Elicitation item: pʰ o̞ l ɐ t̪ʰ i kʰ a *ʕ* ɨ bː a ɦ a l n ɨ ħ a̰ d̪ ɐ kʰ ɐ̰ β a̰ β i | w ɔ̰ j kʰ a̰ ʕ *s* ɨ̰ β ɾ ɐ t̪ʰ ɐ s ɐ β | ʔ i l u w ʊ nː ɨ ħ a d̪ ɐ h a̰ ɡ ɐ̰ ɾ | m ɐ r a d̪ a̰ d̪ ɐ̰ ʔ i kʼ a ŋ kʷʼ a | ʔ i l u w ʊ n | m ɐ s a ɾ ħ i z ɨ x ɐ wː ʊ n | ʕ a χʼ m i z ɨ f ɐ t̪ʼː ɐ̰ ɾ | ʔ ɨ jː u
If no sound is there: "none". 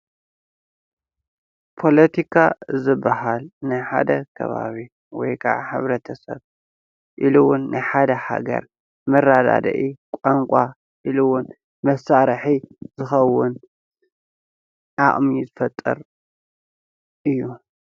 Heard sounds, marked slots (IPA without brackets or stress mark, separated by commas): z, ħ